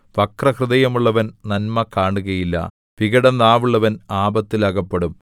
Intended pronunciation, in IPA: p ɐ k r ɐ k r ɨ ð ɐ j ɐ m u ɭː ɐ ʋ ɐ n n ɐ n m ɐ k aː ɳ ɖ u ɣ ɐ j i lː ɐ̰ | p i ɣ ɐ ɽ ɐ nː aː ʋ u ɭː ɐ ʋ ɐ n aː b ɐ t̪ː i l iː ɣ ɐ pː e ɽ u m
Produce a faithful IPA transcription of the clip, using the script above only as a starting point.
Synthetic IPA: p ɐ k r ɐ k r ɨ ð ɐ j ɐ m u ɭː ɐ ʋ ɐ n n ɐ n m ɐ k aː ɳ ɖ u ɣ ɐ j i lː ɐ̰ | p i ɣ ɐ ɽ ɐ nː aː ʋ u ɭː ɐ ʋ ɐ n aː b ɐ t̪ː i l aː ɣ ɐ pː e ɽ u m